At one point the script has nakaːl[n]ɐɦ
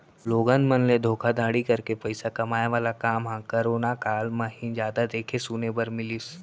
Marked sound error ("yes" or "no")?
yes